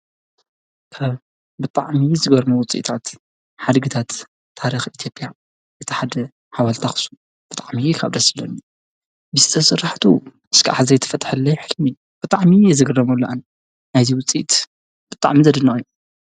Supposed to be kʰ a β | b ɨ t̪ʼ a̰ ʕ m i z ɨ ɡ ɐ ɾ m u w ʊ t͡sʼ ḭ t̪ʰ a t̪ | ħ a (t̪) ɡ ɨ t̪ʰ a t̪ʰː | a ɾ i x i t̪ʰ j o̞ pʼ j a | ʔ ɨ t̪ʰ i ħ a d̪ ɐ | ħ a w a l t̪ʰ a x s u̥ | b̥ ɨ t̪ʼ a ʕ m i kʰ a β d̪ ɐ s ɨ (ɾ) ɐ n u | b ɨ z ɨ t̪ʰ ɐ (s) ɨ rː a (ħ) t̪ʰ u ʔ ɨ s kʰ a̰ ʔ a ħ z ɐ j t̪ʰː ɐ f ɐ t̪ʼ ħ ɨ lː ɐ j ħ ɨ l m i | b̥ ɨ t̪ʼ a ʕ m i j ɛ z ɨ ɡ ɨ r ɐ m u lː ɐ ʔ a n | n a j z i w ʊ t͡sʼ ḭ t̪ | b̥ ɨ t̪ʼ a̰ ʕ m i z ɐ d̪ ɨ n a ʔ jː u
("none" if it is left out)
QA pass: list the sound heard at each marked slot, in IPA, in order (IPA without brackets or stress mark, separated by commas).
d̪, l, s, ħ